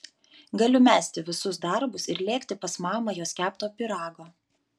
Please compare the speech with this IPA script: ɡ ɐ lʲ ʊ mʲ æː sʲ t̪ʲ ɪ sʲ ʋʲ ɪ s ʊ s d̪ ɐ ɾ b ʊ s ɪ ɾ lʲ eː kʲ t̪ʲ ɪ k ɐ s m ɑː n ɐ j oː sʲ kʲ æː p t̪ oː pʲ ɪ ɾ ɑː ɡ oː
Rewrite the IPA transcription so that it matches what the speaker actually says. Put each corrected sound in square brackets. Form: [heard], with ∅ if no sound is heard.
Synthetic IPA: ɡ ɐ lʲ ʊ mʲ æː sʲ t̪ʲ ɪ [∅] ʋʲ ɪ s ʊ s d̪ ɐ ɾ b ʊ s ɪ ɾ lʲ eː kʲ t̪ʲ ɪ [p] ɐ s m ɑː [m] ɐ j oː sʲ kʲ æː p t̪ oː pʲ ɪ ɾ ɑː ɡ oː